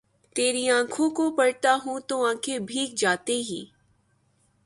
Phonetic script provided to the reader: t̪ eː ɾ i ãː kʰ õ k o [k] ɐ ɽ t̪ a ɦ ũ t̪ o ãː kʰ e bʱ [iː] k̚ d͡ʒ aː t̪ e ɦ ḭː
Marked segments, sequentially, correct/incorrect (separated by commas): incorrect, correct